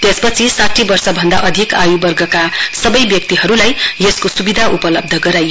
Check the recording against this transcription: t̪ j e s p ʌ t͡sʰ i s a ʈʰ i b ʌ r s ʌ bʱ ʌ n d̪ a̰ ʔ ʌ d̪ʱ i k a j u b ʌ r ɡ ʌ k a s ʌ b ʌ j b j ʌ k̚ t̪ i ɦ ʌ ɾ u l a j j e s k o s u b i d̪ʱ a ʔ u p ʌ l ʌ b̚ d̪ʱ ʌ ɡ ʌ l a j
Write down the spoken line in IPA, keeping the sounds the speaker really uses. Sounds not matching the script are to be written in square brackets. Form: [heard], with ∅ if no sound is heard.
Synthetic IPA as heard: t̪ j e s p ʌ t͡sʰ i s a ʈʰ i b ʌ r s ʌ bʱ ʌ n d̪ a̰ ʔ ʌ d̪ʱ i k a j u b ʌ r ɡ ʌ k a s ʌ b ʌ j b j ʌ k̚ t̪ i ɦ ʌ ɾ u l a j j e s k o s u b i d̪ʱ a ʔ u p ʌ l ʌ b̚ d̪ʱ ʌ ɡ ʌ [ɾ] a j